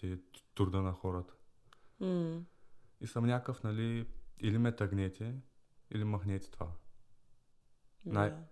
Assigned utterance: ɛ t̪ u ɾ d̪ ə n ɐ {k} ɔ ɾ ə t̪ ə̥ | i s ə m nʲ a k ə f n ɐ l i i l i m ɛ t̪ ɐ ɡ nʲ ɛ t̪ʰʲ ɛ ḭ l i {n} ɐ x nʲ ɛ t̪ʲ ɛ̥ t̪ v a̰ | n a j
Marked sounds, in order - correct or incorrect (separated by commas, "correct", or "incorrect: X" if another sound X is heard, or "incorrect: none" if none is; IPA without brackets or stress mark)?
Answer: incorrect: x, incorrect: m